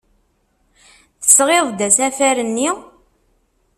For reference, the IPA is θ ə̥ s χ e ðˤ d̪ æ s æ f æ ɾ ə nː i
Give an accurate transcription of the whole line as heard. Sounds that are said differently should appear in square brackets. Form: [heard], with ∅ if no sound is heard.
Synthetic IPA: θ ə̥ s [ʁ] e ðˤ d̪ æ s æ f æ ɾ ə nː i

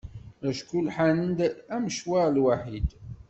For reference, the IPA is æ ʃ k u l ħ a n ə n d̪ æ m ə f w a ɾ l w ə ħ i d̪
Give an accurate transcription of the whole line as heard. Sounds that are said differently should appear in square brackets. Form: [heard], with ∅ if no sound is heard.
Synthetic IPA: æ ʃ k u l ħ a n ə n d̪ æ m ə [ʃ] w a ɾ l w [a] ħ i d̪

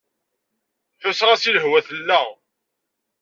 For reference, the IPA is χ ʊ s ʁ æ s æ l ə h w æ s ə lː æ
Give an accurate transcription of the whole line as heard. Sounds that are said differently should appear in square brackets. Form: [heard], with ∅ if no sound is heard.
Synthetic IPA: [θ] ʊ s ʁ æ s [i] l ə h w æ [θ] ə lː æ

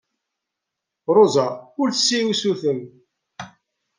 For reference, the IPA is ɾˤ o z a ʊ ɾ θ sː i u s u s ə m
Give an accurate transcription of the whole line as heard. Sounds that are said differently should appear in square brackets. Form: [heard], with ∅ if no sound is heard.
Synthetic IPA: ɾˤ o z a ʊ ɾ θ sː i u s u [θ] ə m

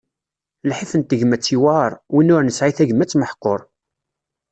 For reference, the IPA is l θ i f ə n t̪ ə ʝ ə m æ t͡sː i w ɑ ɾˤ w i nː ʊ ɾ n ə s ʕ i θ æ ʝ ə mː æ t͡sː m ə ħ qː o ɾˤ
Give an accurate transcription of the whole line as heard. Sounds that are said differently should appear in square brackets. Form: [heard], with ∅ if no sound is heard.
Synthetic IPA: l [ħ] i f ə n t̪ ə ʝ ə m æ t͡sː i w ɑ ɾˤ w i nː ʊ ɾ n ə s ʕ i θ æ ʝ ə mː æ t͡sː m ə ħ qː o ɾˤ

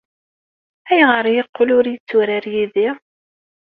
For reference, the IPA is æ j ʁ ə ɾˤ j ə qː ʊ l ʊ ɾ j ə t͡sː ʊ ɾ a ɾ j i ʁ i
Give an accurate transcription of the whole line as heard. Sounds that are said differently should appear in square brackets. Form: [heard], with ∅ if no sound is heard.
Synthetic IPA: æ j ʁ ə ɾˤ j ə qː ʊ l ʊ ɾ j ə t͡sː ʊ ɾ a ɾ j i [ð] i

